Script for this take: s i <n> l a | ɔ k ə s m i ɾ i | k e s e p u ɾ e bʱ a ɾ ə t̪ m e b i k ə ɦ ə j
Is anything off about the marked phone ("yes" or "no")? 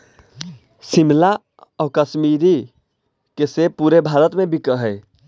yes